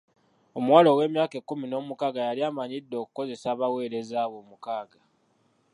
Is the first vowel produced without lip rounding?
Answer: no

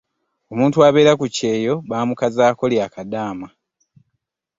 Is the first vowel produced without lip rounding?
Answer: no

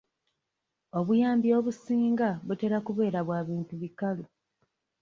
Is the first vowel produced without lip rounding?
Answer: no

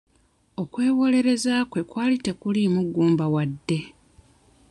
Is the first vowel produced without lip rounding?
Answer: no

